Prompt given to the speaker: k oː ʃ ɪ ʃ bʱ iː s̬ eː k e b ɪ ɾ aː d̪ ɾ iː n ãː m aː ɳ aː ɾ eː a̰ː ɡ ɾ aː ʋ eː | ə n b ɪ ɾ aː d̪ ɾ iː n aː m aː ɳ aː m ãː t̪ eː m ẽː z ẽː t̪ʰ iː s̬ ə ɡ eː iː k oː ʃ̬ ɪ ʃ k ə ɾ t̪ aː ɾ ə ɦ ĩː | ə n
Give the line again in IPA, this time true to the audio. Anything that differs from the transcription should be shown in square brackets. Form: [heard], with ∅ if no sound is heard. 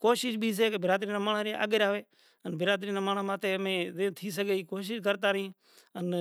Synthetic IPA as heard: k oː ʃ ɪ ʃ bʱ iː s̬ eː k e b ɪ ɾ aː d̪ ɾ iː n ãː m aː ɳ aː ɾ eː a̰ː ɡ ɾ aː ʋ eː | ə n b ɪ ɾ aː d̪ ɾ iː n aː m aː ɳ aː m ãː t̪ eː m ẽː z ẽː t̪ʰ iː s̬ ə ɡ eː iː k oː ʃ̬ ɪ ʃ k ə ɾ t̪ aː ɾ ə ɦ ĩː | ə n